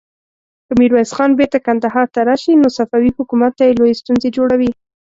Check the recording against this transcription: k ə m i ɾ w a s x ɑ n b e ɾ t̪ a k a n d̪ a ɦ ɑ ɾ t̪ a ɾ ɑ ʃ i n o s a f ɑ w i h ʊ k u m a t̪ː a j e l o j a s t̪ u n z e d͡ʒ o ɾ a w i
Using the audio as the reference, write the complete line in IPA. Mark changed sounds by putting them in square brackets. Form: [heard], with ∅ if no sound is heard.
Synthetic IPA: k ə m i ɾ w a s x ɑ n b e ɾ t̪ a k a n d̪ a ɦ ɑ ɾ t̪ a ɾ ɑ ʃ i n o s a f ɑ w i h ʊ k u m a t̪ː a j e l o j [e] s t̪ u n z e d͡ʒ o [ɽ] a w i